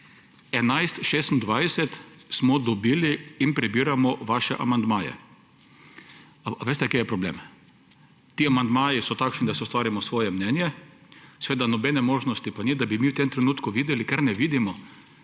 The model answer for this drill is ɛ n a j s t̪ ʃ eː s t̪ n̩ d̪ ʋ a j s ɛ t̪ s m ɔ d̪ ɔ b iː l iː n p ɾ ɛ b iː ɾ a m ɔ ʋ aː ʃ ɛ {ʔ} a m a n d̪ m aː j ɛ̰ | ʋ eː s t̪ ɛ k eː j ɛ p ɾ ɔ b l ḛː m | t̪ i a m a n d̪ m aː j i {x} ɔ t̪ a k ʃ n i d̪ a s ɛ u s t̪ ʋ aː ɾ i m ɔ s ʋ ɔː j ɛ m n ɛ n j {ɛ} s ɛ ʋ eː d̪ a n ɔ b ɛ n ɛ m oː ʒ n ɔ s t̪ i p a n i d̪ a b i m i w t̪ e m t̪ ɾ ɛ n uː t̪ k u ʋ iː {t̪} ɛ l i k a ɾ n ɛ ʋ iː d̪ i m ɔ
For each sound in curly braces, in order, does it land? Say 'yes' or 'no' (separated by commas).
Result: yes, no, yes, no